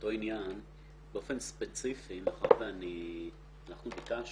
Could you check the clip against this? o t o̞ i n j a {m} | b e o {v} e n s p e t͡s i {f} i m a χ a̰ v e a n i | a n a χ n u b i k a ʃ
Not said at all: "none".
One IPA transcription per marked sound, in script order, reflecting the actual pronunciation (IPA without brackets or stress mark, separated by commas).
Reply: n, f, f